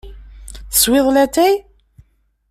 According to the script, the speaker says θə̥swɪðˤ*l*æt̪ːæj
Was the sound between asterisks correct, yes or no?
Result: yes